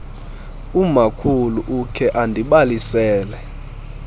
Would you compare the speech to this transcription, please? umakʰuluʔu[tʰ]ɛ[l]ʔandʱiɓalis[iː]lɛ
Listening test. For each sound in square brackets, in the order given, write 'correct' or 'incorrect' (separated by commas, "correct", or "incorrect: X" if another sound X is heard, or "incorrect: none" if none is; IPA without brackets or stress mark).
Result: incorrect: kʰ, incorrect: none, incorrect: ɛː